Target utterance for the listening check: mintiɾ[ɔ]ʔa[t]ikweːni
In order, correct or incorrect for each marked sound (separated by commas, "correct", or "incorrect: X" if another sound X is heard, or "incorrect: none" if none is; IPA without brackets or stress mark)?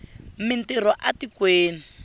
correct, correct